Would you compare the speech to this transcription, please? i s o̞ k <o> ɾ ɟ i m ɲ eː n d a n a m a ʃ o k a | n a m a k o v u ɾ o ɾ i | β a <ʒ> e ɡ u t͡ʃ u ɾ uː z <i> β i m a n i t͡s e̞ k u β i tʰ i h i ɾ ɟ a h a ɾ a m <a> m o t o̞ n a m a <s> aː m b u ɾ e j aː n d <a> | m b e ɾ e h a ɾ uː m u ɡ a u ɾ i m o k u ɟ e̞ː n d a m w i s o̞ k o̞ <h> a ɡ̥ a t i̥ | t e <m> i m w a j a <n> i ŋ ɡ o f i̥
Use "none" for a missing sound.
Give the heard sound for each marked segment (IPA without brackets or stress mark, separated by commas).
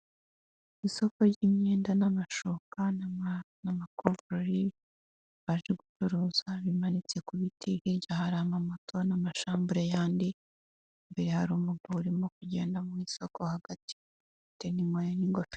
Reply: o, ʒ, a, a, ʃ, i, h, n, n